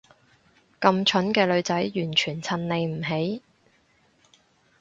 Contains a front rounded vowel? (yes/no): yes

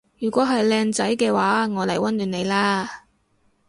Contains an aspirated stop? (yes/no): no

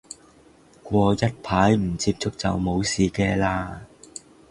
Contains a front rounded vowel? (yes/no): no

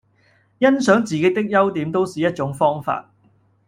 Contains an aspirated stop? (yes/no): no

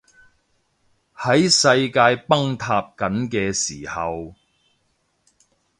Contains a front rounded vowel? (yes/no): no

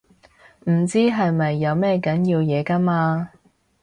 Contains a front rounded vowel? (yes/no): no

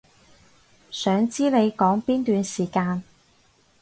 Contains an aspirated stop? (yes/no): no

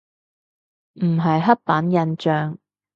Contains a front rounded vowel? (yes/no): yes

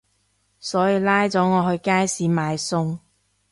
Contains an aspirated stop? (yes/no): no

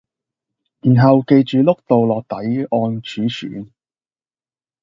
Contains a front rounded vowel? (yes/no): yes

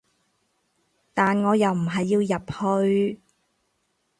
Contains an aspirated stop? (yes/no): no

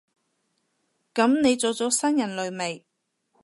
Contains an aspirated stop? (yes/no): no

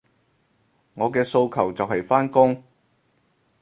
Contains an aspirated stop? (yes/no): yes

